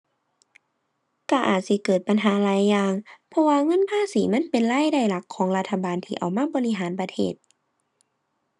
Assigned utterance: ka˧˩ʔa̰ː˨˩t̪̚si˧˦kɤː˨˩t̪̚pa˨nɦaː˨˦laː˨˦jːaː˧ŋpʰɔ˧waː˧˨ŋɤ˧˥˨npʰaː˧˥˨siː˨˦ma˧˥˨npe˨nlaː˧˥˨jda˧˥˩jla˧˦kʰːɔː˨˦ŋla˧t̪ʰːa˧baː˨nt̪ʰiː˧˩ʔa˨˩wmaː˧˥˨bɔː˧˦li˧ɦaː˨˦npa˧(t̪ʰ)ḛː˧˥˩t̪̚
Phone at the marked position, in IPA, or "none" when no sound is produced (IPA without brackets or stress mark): t̪ʰ